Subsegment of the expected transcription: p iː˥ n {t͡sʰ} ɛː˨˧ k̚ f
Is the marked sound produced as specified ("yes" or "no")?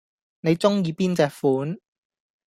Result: no